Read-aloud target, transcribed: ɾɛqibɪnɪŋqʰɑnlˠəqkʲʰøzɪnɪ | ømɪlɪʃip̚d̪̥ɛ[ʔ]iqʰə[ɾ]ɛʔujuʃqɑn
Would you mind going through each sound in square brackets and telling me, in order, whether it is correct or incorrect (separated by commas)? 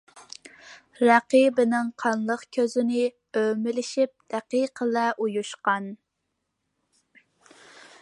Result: incorrect, incorrect